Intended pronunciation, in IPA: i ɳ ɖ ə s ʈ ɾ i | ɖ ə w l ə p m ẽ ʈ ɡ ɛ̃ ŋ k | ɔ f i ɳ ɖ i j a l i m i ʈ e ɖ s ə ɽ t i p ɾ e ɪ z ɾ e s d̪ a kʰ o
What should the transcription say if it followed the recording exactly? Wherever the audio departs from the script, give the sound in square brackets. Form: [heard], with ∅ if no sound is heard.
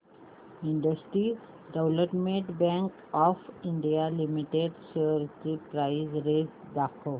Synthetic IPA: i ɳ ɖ ə s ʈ ɾ i | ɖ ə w l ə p m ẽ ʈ [b] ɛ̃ ŋ k | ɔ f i ɳ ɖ i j a l i m i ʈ e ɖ s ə [ɾ] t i p ɾ [a] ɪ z ɾ e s d̪ a kʰ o